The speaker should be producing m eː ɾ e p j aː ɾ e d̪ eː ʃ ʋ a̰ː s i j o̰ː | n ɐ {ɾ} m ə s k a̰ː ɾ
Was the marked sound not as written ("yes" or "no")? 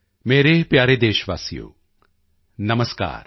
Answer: yes